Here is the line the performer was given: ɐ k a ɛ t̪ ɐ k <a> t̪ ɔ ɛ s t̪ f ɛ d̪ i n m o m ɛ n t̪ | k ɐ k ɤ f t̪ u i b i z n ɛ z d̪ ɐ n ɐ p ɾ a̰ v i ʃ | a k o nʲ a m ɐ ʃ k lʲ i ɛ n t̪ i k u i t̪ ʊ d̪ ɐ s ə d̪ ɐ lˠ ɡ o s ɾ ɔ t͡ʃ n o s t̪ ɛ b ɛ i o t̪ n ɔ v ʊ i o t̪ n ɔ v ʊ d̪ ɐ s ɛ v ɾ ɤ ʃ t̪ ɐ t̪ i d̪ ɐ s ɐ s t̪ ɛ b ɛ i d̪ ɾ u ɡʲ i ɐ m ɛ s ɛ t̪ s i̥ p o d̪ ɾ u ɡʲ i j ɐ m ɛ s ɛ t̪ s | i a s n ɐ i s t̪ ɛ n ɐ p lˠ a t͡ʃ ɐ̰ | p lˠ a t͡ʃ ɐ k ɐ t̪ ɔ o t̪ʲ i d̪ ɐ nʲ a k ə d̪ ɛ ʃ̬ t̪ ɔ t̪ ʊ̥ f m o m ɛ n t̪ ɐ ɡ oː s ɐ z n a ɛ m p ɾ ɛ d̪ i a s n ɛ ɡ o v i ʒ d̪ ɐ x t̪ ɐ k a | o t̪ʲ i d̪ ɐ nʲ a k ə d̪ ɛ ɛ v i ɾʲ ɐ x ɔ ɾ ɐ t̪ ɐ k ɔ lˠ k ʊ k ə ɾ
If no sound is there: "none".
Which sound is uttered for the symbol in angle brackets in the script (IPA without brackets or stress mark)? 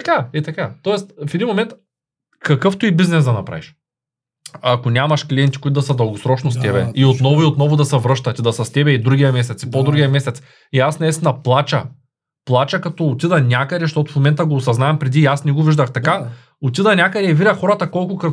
a